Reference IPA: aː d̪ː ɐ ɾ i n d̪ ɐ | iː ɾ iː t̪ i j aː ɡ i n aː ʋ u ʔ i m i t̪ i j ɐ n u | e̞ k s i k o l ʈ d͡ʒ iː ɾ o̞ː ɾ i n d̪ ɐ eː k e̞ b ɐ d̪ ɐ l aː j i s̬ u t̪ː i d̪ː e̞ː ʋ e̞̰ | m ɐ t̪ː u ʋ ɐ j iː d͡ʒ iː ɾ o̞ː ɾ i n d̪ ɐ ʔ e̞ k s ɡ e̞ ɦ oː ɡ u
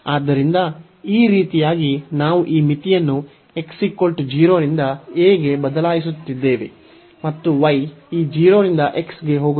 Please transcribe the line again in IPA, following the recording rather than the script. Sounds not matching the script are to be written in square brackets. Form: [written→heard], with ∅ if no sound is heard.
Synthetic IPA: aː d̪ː ɐ ɾ i n d̪ ɐ | iː ɾ iː t̪ i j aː ɡ i n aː ʋ u ʔ [i→iː] m i t̪ i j ɐ [n→nː] u | e̞ k s i k o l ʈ d͡ʒ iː ɾ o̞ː ɾ i n d̪ ɐ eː [k→ɡ] e̞ b ɐ d̪ ɐ l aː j i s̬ u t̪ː i d̪ː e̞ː ʋ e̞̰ | m ɐ t̪ː u ʋ ɐ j iː d͡ʒ iː ɾ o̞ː ɾ i n d̪ ɐ ʔ e̞ k s ɡ e̞ ɦ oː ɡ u